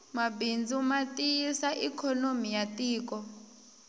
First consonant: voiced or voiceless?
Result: voiced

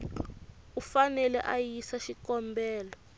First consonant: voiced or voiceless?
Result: voiceless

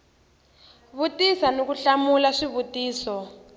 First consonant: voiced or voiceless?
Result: voiced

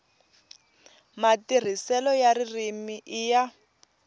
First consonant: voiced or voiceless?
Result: voiced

